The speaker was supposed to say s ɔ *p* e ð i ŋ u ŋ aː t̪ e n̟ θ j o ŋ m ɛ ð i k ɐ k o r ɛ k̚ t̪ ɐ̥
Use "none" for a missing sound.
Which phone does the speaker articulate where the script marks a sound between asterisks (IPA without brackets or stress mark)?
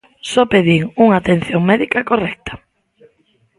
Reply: p